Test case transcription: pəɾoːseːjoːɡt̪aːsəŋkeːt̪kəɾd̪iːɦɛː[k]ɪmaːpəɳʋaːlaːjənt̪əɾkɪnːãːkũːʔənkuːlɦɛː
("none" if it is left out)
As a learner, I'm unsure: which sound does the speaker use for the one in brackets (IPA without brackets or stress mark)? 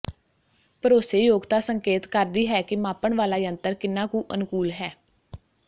k